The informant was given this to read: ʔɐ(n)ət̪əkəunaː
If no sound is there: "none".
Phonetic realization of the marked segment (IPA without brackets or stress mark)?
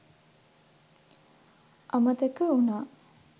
m